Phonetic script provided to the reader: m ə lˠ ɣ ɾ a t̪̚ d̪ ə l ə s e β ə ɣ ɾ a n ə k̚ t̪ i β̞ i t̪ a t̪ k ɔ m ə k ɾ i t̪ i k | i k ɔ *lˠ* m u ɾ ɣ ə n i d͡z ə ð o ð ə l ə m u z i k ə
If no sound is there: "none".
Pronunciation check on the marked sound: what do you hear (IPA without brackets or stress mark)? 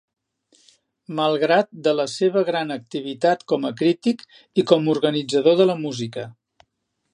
none